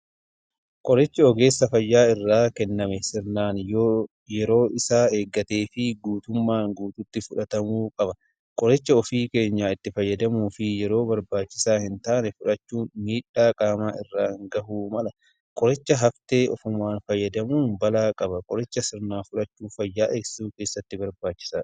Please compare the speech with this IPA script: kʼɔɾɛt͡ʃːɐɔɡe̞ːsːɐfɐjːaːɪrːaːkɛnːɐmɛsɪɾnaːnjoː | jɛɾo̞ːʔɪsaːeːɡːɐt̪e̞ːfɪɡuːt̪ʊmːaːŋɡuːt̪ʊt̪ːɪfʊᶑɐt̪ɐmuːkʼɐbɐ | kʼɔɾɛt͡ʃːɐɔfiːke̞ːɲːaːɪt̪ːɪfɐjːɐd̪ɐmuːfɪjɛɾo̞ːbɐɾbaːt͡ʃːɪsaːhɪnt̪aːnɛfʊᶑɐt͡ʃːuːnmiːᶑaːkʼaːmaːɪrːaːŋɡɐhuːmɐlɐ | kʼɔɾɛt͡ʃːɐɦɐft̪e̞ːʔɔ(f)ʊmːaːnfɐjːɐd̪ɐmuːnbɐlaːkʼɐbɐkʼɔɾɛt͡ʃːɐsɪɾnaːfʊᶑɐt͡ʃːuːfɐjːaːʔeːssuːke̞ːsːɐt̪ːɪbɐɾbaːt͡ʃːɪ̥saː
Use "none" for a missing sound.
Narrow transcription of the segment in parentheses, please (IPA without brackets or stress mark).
f